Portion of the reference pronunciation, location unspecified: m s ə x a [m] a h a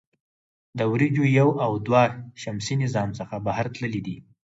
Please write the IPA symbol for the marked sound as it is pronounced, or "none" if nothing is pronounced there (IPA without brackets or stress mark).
b